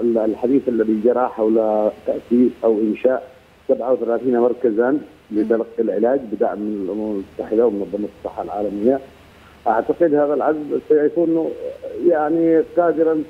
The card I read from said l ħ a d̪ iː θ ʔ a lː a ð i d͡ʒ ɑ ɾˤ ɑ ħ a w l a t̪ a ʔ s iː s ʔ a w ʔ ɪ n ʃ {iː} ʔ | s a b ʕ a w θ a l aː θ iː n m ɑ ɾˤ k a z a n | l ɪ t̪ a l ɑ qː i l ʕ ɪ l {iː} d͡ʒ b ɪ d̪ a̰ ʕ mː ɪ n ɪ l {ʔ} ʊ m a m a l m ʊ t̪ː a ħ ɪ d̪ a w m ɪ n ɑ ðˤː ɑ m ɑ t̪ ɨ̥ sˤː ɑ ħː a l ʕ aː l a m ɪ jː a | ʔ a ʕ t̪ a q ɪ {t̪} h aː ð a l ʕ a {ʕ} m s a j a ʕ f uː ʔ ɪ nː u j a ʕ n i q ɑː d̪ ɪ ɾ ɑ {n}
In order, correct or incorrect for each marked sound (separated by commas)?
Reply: incorrect, incorrect, correct, incorrect, incorrect, correct